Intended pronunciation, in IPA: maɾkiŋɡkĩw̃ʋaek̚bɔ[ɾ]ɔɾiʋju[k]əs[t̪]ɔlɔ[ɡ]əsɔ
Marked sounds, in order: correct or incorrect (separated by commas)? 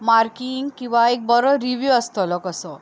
correct, incorrect, correct, incorrect